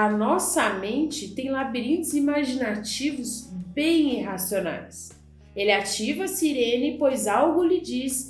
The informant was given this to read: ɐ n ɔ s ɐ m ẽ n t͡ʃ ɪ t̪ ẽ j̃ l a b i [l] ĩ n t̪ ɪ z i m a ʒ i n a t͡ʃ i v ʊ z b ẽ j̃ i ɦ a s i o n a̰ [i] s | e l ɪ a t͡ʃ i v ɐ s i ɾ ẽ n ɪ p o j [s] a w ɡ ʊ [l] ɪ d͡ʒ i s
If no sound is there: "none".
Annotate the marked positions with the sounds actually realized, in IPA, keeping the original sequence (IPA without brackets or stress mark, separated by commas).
ɾ, j, z, l